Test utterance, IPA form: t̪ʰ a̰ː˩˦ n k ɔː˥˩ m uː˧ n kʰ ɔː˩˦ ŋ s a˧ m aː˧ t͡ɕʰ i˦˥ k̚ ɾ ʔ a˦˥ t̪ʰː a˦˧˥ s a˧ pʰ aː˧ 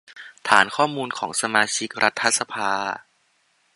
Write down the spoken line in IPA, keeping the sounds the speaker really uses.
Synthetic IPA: t̪ʰ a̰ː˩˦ n kʰ ɔː˥˩ m uː˧ n kʰ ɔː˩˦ ŋ s a˧ m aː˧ t͡ɕʰ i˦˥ k̚ ɾ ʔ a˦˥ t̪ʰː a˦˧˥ s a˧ pʰ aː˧